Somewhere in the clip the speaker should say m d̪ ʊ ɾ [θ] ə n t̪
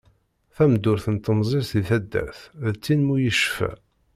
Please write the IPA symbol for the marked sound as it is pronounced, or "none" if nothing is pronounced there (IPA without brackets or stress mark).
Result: θ